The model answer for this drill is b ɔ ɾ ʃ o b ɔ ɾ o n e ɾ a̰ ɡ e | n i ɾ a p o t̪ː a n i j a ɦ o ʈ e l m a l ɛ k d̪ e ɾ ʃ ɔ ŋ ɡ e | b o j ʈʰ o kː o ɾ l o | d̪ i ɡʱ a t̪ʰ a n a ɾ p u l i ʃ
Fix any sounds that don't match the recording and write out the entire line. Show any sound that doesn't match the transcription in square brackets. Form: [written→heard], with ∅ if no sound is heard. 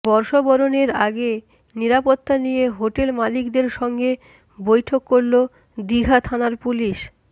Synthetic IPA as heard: b ɔ ɾ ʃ o b ɔ ɾ o n e ɾ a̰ ɡ e | n i ɾ a p o t̪ː a n i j [a→e] ɦ o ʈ e l m a l [ɛ→i] k d̪ e ɾ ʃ ɔ ŋ ɡ e | b o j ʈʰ o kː o ɾ l o | d̪ i ɡʱ a t̪ʰ a n a ɾ p u l i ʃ

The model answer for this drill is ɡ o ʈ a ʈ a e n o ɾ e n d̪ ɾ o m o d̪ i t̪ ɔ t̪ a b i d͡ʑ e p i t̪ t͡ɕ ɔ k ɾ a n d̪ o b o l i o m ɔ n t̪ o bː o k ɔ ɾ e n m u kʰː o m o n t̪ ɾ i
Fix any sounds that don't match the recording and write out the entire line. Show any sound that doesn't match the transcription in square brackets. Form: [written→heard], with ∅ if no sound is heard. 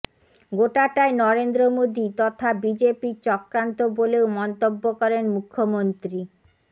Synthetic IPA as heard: ɡ o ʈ a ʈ a e n [o→ɔ] ɾ e n d̪ ɾ o m o d̪ i t̪ ɔ [t̪→t̪ʰ] a b i d͡ʑ e p i [t̪→∅] t͡ɕ ɔ k ɾ a n [d̪→t̪] o b o l [i→e] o m ɔ n t̪ o bː o k ɔ ɾ e n m u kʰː o m o n t̪ ɾ i

